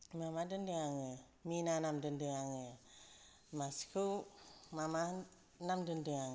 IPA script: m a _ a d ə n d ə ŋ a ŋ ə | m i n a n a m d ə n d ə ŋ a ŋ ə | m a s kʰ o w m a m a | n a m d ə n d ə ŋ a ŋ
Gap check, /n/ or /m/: m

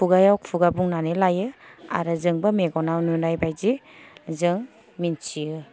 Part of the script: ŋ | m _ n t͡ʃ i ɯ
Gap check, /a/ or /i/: i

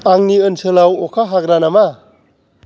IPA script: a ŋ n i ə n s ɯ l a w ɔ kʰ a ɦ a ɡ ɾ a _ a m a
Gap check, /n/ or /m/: n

